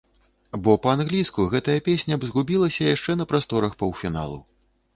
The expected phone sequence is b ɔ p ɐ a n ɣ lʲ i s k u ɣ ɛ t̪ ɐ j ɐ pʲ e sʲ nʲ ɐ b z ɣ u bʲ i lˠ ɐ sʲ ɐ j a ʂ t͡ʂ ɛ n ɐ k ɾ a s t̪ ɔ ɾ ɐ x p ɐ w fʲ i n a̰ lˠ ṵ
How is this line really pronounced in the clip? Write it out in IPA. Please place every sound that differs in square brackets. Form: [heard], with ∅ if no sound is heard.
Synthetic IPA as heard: b ɔ p ɐ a n ɣ lʲ i s k u ɣ ɛ t̪ ɐ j ɐ pʲ e sʲ nʲ ɐ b z ɣ u bʲ i lˠ ɐ sʲ ɐ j a ʂ t͡ʂ ɛ n ɐ [p] ɾ a s t̪ ɔ ɾ ɐ x p ɐ w fʲ i n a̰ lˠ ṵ